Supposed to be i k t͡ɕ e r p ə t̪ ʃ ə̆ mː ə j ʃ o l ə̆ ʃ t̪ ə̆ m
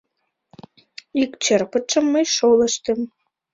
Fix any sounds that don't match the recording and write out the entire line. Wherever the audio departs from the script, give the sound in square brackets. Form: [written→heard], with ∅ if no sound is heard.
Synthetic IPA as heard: i k t͡ɕ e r p ə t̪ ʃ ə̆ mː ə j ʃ o l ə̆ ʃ t̪ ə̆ m